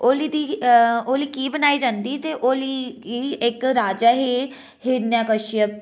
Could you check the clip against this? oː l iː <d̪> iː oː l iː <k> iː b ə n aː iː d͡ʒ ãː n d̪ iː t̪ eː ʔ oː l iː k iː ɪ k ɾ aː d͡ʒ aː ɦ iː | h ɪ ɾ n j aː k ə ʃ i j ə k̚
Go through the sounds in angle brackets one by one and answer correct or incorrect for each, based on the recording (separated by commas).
correct, correct